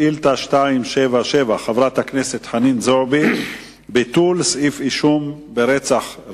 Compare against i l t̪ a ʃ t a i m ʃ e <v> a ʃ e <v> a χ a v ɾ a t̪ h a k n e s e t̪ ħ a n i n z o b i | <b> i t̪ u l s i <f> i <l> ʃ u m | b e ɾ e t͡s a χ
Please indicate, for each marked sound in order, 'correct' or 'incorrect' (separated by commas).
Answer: correct, correct, correct, correct, incorrect